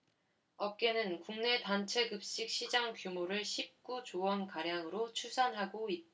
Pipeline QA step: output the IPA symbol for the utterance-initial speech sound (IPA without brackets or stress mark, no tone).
ʌ